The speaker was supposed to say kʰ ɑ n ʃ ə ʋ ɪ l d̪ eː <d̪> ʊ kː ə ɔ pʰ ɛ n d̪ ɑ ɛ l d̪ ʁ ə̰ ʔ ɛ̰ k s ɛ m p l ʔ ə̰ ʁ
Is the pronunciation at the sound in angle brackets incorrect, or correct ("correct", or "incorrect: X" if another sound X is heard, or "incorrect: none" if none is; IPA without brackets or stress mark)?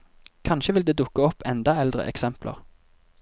correct